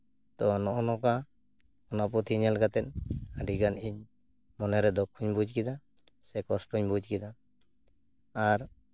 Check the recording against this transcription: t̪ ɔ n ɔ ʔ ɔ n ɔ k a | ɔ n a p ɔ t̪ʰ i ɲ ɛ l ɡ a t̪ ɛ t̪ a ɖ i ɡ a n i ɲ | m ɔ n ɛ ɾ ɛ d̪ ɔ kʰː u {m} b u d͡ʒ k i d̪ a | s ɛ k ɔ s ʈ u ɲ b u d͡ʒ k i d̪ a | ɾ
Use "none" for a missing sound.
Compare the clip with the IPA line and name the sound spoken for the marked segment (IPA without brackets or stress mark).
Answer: ɲ